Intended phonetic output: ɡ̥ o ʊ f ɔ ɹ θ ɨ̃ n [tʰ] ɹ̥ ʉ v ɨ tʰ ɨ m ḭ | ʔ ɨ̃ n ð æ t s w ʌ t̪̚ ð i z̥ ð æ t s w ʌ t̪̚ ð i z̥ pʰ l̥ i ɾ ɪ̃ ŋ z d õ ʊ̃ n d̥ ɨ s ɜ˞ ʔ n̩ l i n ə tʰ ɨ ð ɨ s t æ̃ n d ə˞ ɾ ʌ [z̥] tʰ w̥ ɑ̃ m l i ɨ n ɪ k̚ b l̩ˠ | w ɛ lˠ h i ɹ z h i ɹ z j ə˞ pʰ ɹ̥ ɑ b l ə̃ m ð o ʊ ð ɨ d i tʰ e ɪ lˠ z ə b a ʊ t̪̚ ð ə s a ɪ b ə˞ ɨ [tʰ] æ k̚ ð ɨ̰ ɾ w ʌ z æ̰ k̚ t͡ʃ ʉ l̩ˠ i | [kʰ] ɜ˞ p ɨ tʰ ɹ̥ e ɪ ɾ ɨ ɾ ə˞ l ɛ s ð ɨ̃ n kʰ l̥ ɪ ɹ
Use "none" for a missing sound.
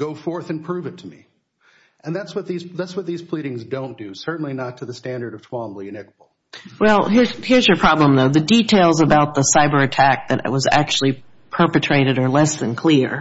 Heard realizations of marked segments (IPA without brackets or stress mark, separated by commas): pʰ, v̥, tʰ, pʰ